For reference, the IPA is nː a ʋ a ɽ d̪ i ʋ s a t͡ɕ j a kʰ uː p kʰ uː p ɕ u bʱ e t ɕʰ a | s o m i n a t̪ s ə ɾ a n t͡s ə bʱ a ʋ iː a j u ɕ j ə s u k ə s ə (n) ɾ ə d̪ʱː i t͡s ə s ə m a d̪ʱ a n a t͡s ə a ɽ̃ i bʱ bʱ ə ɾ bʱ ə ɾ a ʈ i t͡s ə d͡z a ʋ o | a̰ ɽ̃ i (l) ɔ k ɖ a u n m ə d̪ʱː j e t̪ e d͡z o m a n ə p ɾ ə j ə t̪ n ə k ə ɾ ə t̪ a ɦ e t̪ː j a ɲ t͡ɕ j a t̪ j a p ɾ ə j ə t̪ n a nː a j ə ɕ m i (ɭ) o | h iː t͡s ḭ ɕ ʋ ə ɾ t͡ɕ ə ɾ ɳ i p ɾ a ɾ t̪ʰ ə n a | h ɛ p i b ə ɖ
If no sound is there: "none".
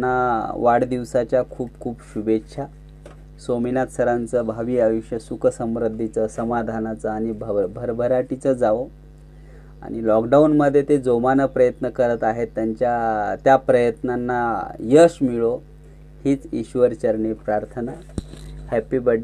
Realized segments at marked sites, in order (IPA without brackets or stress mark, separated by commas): m, l, ɭ